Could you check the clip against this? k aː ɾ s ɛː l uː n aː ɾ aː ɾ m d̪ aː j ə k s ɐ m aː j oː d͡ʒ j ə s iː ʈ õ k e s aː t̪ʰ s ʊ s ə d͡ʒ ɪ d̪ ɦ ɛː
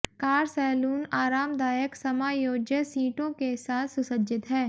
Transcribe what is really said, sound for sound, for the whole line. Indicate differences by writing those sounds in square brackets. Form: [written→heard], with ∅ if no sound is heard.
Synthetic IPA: k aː ɾ s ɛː l uː n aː ɾ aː [ɾ→∅] m d̪ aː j ə k s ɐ m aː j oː d͡ʒ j ə s iː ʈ õ k e s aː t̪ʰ s ʊ s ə d͡ʒ ɪ [d̪→t̪] ɦ ɛː